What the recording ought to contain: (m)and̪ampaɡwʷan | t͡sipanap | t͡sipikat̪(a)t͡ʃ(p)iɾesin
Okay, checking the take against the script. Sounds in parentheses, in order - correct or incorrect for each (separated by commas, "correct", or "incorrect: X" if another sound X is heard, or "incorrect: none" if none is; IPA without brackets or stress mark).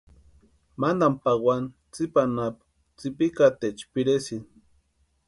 correct, incorrect: e, correct